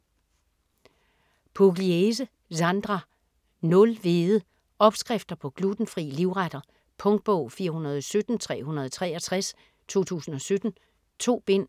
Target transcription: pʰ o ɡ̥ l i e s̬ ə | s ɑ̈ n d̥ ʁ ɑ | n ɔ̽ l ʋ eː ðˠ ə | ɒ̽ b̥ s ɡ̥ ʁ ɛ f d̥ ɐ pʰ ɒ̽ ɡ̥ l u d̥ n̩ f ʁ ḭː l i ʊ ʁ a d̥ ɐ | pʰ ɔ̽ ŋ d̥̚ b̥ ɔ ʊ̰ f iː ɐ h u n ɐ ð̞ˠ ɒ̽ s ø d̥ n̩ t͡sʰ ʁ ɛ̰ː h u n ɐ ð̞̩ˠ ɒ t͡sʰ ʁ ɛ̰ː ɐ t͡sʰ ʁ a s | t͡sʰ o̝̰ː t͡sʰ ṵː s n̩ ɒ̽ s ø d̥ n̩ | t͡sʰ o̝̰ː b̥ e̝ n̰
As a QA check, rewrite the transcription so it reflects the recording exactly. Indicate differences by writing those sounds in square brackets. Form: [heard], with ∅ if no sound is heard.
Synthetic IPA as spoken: pʰ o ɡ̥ l i e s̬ ə | s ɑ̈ n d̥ ʁ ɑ | n ɔ̽ l ʋ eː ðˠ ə | ɒ̽ b̥ s ɡ̥ ʁ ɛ f d̥ ɐ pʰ ɒ̽ ɡ̥ l u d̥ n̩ f ʁ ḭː l i ʊ ʁ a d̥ ɐ | pʰ ɔ̽ ŋ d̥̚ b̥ ɔ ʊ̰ f iː ɐ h u n ɐ ð̞ˠ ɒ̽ s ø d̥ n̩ t͡sʰ ʁ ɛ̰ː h u n ɐ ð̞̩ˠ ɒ t͡sʰ ʁ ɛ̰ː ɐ t͡sʰ ʁ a s | t͡sʰ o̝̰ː t͡sʰ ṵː s n̩ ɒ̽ s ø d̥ n̩ | t͡sʰ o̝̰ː b̥ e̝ n̰